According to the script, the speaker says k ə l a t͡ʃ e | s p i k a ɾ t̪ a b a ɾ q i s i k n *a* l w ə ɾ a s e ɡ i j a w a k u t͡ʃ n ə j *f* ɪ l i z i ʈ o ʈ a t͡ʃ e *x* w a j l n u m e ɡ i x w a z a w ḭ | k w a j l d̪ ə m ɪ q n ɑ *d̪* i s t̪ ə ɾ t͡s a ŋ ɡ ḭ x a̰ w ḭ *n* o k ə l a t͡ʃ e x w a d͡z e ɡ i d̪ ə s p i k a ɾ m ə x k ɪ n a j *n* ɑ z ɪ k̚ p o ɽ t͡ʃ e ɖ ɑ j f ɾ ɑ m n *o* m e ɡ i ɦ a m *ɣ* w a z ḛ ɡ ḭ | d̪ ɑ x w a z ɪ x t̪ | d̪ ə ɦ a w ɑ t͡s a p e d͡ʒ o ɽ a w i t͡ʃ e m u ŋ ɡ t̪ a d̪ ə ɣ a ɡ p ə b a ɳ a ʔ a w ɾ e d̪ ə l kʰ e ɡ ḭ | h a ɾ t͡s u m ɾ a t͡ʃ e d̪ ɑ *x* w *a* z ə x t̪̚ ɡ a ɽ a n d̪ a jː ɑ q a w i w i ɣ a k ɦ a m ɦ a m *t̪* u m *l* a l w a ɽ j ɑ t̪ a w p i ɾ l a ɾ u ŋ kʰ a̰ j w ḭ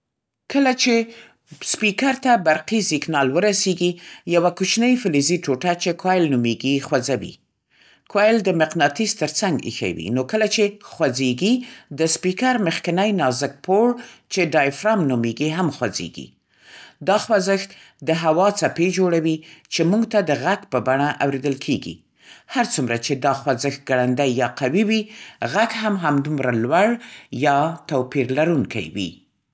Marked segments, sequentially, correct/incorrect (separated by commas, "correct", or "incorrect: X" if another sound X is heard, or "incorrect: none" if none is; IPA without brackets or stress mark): incorrect: ɑ, correct, incorrect: k, incorrect: t̪, correct, correct, incorrect: u, incorrect: x, correct, correct, incorrect: d̪, incorrect: ɾ